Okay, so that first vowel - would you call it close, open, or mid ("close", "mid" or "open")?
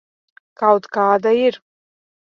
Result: open